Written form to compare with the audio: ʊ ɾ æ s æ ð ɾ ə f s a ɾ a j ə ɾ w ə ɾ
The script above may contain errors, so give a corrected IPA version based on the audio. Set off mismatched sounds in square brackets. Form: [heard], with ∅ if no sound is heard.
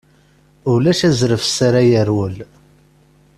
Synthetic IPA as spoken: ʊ [l] æ [ʃ] æ [z] ɾ ə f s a ɾ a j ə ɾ w ə [l]